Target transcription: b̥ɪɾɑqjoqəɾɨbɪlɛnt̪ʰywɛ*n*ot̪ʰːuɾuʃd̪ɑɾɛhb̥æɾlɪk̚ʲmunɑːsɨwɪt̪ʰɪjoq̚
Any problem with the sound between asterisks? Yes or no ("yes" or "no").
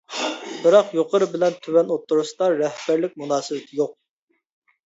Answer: no